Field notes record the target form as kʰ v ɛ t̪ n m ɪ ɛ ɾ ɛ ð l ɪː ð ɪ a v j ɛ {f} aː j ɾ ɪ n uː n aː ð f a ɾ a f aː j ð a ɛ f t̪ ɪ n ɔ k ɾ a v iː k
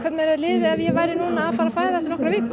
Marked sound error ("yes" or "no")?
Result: yes